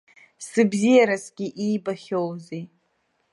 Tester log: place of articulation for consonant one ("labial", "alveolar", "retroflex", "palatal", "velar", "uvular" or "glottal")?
alveolar